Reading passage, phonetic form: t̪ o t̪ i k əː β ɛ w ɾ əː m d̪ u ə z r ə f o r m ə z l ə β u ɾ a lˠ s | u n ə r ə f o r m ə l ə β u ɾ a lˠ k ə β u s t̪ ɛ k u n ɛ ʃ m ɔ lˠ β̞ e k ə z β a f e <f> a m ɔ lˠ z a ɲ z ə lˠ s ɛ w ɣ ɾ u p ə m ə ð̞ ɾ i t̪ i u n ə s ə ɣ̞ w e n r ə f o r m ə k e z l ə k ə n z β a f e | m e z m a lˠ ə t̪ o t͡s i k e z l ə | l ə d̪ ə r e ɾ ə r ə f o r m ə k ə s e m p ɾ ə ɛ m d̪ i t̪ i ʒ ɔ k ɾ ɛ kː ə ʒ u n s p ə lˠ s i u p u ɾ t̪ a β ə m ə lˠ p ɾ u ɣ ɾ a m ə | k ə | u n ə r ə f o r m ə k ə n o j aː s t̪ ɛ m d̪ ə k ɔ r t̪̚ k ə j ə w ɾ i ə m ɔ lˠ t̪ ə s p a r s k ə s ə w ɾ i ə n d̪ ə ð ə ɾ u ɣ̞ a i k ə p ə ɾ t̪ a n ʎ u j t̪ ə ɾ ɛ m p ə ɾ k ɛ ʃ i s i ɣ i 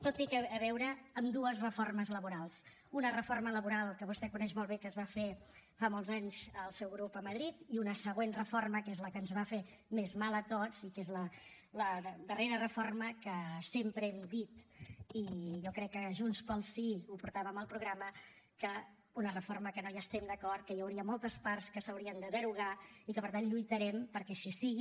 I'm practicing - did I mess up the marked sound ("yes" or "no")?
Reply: no